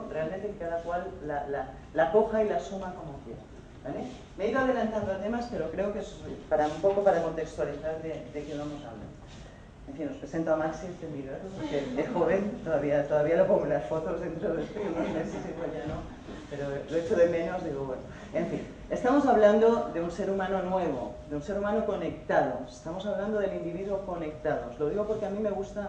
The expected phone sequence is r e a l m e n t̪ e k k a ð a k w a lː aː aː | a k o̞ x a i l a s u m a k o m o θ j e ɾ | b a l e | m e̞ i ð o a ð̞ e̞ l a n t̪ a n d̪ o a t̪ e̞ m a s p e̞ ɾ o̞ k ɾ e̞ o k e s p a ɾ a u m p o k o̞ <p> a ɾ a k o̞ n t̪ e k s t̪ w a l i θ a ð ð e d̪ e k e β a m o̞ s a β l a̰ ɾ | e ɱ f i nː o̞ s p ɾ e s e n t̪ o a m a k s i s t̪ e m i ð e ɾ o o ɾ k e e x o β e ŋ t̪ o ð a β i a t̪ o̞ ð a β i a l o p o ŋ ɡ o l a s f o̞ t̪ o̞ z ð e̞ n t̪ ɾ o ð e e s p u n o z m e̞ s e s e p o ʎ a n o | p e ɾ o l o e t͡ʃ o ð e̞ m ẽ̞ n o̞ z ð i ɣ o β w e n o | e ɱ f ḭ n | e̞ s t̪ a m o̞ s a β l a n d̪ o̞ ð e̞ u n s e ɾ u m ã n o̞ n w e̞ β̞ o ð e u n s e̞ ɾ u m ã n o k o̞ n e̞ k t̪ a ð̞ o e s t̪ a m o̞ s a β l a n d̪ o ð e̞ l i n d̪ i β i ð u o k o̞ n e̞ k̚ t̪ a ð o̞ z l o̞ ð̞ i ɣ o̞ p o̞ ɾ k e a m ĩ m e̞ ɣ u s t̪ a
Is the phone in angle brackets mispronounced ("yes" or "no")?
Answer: no